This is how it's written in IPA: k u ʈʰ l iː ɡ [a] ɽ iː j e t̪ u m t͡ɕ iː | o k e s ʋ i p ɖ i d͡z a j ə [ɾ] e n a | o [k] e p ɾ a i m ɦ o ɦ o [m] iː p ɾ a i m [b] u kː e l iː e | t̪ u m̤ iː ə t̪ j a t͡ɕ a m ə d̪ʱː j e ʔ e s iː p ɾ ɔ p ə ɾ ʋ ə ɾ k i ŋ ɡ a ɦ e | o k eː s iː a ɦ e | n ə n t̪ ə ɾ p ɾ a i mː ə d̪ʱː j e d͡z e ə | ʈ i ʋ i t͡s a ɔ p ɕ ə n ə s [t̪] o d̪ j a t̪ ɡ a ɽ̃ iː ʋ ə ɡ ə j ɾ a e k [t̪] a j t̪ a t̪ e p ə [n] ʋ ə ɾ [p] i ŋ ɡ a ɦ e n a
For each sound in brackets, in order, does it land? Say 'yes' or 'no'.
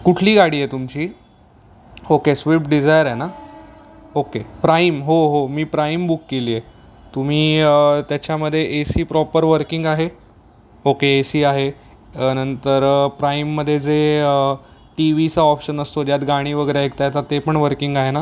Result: yes, yes, yes, yes, yes, yes, yes, no, no

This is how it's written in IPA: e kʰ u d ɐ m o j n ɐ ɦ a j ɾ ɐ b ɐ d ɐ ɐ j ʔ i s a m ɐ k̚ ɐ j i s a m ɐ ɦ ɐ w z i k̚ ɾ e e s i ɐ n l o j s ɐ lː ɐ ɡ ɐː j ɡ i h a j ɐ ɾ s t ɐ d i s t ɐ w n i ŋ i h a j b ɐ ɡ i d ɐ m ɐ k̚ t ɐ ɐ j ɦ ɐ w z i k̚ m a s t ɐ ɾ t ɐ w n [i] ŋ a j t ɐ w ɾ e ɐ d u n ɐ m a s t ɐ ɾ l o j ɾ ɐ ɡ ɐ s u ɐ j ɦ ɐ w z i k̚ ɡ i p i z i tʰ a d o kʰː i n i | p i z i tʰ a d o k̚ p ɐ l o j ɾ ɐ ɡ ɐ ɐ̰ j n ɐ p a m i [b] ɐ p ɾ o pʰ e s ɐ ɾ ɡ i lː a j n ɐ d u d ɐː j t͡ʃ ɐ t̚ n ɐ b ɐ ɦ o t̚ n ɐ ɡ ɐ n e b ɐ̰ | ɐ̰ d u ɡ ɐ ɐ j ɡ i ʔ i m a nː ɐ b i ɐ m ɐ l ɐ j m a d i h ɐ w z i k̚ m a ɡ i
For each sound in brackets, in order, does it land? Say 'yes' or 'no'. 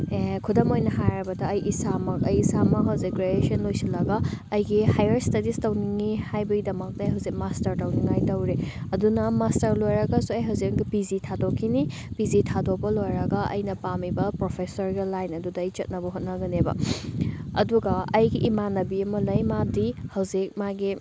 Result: yes, yes

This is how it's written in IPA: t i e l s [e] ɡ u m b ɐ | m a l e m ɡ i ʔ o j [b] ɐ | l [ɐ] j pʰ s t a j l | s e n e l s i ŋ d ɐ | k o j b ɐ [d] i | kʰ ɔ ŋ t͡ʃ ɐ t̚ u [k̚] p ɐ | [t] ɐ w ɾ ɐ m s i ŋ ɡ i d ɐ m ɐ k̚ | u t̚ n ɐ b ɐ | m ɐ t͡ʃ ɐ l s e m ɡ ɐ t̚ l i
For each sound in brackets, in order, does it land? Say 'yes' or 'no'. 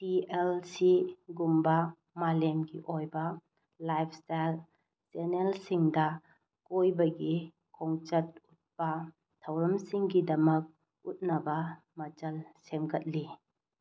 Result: no, yes, no, no, no, no

